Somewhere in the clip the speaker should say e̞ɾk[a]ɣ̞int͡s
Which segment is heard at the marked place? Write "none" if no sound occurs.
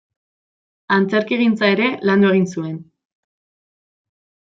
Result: i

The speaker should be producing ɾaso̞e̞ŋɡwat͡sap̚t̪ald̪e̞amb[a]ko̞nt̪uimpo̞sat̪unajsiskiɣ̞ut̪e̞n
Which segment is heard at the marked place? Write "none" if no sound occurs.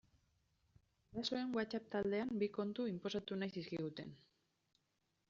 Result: i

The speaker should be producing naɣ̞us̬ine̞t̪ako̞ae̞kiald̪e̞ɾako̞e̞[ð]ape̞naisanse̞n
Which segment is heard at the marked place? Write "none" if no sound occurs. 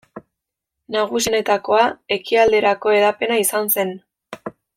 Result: ð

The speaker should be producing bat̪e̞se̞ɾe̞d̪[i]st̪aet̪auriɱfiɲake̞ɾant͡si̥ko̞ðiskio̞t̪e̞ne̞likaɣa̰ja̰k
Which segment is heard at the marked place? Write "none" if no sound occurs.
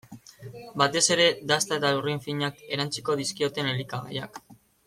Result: a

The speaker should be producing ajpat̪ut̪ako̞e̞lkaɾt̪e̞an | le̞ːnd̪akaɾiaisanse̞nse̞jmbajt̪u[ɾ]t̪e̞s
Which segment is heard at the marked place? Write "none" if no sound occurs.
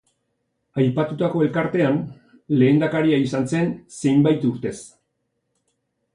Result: ɾ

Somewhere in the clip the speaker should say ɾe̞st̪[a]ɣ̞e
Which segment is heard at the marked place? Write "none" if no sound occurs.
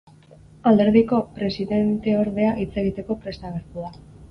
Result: a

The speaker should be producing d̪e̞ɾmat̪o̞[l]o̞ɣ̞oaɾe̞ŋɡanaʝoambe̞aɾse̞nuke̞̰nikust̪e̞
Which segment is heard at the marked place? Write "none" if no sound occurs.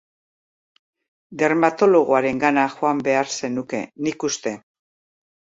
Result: l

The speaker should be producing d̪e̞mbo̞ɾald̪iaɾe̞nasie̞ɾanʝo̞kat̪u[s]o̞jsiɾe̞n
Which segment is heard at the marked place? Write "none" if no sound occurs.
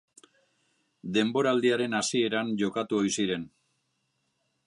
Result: none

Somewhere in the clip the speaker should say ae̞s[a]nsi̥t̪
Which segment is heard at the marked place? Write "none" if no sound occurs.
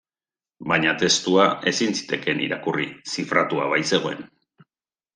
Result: i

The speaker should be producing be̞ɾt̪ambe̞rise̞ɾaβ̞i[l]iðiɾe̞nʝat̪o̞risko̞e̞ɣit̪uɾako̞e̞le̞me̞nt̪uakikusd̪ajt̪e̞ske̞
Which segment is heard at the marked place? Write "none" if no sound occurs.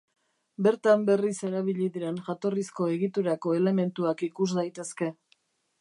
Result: ʎ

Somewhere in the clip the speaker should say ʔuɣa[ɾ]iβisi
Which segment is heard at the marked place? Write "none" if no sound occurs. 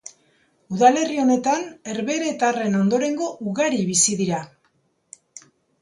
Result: ɾ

